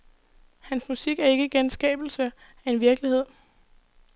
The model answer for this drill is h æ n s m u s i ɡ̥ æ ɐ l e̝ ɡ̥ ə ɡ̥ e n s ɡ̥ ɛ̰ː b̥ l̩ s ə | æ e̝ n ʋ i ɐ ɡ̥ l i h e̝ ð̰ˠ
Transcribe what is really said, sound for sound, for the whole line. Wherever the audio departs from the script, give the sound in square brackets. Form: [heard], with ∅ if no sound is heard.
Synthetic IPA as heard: h æ n s m u s i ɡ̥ æ ɐ [∅] e̝ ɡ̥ ə ɡ̥ e n s ɡ̥ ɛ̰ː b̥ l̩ s ə | æ e̝ n ʋ i ɐ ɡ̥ l i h e̝ ð̰ˠ